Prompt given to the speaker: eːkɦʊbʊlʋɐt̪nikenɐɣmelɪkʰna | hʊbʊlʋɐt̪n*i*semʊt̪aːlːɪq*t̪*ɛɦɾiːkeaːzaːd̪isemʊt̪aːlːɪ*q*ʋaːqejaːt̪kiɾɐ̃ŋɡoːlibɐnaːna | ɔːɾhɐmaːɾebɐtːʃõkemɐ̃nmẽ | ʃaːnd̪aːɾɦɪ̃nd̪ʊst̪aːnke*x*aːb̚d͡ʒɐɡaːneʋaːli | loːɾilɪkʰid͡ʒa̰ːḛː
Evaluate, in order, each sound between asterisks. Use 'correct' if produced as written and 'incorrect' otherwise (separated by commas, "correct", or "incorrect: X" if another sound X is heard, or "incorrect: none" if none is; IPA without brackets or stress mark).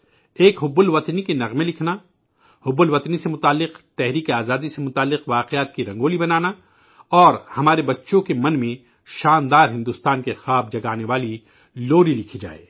correct, correct, correct, correct